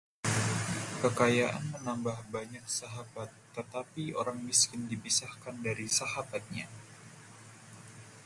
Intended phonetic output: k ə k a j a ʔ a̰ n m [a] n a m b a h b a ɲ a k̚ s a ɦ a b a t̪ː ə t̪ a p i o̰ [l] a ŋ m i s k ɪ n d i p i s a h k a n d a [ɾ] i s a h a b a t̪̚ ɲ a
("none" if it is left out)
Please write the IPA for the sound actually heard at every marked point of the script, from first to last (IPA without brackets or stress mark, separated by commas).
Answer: ə, ɾ, ɾ